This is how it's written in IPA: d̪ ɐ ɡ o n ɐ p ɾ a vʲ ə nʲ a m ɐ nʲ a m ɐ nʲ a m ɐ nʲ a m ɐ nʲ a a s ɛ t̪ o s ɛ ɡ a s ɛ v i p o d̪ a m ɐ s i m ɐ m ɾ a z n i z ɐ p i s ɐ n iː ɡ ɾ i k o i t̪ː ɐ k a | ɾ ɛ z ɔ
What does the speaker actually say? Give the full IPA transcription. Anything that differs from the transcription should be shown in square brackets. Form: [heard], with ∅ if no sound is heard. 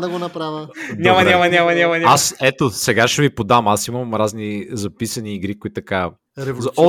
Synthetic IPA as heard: d̪ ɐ ɡ o n ɐ p ɾ a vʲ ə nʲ a m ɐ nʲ a m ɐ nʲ a m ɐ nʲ a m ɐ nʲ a a s ɛ t̪ o s ɛ ɡ a [ʃ] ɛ v i p o d̪ a m [a] s i m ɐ m ɾ a z n i z ɐ p i s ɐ n iː ɡ ɾ i k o i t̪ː ɐ k a | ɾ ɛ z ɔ